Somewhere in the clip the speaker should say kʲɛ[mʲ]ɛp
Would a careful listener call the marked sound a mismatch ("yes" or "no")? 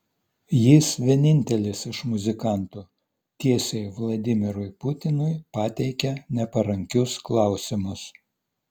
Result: yes